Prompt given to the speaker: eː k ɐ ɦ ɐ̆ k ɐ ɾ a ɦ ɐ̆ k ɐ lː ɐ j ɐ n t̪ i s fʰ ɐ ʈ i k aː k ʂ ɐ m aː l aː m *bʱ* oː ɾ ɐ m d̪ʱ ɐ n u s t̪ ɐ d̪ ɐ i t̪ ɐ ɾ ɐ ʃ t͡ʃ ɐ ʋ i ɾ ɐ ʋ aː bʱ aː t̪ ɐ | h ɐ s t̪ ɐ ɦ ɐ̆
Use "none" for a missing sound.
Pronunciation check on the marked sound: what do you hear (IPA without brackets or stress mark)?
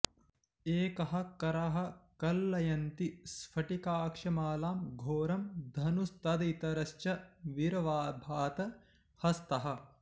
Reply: ɡʱ